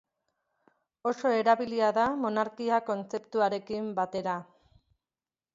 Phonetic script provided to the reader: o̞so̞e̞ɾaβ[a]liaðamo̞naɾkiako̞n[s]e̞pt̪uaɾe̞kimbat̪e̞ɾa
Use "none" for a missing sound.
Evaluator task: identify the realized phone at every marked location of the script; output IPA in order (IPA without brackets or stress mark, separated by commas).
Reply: i, t͡s